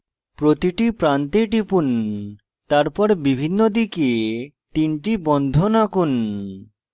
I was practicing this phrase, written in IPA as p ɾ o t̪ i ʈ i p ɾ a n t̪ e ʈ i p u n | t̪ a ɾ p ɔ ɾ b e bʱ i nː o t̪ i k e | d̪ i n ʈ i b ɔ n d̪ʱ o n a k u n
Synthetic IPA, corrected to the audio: p ɾ o t̪ i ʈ i p ɾ a n t̪ e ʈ i p u n | t̪ a ɾ p ɔ ɾ b i bʱ i nː o d̪ i k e | t̪ i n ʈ i b ɔ n d̪ʱ o n a k u n

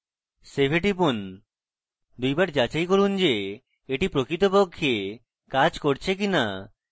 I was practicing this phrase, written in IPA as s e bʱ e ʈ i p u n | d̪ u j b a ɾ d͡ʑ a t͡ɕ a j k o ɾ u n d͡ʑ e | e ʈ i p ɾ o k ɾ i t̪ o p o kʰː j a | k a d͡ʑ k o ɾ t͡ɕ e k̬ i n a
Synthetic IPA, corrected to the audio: s e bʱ e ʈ i p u n | d̪ u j b a ɾ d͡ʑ a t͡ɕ a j k o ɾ u n d͡ʑ e | e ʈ i p ɾ o k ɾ i t̪ o p o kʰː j e | k a d͡ʑ k o ɾ t͡ɕʰ e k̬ i n a

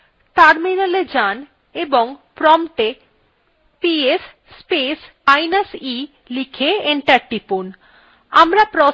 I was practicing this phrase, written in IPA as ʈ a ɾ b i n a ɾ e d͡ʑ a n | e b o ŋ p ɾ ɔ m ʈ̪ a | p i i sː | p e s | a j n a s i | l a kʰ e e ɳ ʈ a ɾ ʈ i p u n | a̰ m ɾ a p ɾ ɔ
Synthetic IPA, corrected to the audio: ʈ a ɾ m i n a l e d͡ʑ a n | e b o ŋ p ɾ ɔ m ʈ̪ e | p i e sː | p e s | a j n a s i | l i kʰ e e ɳ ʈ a ɾ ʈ i p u n | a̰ m ɾ a p ɾ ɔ

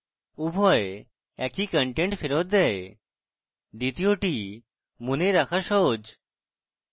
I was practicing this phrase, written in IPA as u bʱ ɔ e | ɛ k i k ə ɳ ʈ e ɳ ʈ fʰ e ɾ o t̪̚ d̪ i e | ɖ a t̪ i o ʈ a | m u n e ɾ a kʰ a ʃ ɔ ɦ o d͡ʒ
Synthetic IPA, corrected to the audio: u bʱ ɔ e | ɛ k i k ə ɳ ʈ e ɳ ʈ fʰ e ɾ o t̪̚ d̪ ɛ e | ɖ i t̪ i o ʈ i | m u n e ɾ a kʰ a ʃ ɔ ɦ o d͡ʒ

